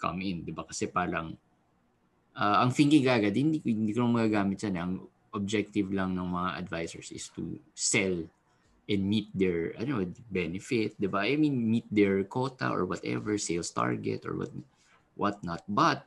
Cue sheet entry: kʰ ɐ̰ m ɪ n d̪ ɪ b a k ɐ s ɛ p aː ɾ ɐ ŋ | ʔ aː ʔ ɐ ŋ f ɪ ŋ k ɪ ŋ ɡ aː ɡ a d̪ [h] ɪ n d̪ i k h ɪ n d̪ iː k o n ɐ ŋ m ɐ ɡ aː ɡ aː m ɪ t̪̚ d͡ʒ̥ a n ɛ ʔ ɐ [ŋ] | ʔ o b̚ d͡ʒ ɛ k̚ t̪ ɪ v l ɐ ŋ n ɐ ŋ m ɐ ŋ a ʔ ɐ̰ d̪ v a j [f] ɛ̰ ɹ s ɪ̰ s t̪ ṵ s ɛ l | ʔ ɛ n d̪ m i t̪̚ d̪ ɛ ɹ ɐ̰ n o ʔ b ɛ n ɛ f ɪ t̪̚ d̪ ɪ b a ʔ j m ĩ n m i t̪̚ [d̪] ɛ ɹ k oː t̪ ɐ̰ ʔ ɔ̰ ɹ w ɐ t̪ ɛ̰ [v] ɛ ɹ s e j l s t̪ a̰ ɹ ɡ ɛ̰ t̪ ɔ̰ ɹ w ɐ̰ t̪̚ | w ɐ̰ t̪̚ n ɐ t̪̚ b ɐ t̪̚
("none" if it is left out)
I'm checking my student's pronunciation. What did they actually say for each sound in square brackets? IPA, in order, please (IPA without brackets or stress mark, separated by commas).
h, ŋ, s, d̪, v